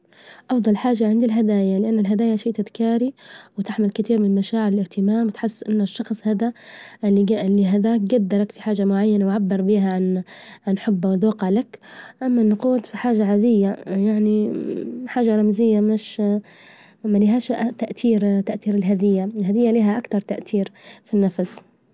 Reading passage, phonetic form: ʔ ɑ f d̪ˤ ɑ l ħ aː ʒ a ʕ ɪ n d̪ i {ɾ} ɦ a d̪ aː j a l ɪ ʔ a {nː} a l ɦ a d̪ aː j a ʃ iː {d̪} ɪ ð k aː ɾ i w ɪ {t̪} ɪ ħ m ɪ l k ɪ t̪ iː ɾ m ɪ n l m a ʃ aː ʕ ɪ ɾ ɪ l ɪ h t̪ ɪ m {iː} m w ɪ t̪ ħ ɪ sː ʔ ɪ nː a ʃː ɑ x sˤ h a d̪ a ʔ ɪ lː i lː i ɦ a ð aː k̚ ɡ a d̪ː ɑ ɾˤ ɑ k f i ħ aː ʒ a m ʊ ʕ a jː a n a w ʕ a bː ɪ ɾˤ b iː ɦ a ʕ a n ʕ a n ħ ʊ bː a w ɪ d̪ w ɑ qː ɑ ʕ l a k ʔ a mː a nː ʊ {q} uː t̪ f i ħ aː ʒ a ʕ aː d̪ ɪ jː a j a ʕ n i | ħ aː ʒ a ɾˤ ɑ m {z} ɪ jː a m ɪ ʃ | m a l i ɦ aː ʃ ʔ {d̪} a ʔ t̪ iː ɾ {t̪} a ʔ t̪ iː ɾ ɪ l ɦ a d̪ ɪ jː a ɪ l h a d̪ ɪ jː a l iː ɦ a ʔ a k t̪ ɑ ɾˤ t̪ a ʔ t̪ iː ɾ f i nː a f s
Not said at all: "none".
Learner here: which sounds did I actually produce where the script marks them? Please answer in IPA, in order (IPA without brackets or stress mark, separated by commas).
l, nː, t̪, t̪, aː, q, z, t̪, t̪